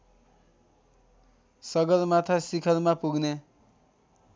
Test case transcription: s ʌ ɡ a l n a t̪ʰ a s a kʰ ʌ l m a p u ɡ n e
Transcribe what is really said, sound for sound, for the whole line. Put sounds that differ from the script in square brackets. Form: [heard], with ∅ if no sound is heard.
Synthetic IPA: s ʌ ɡ [ʌ] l [m] a t̪ʰ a s [i] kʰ ʌ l m a p u ɡ n e